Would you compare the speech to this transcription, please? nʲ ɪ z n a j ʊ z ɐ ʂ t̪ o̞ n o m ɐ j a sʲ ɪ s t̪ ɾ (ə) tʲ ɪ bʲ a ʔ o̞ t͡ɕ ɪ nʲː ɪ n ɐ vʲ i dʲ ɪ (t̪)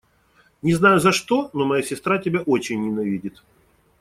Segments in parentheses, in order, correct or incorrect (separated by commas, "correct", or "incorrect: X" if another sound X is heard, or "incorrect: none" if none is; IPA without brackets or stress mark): incorrect: a, correct